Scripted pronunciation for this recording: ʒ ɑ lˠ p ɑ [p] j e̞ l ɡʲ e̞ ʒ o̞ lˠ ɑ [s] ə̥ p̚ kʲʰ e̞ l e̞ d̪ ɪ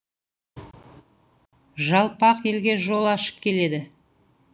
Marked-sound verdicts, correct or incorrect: incorrect, incorrect

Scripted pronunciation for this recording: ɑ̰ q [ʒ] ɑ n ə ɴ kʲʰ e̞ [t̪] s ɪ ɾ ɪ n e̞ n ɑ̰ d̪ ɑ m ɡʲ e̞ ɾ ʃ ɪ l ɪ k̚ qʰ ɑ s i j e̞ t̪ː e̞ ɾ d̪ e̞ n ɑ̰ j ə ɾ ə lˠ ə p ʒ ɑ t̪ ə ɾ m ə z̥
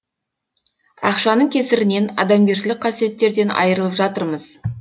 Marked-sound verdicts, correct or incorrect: incorrect, incorrect

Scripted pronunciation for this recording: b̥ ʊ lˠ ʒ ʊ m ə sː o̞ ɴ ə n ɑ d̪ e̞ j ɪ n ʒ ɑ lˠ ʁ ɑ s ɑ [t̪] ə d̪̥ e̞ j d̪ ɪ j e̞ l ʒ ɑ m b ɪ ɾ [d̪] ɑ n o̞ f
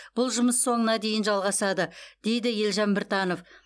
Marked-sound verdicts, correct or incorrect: incorrect, incorrect

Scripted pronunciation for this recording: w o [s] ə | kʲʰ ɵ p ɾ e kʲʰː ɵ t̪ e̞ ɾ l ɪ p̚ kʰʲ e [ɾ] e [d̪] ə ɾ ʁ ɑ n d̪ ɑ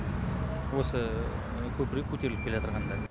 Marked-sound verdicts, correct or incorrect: correct, incorrect, incorrect

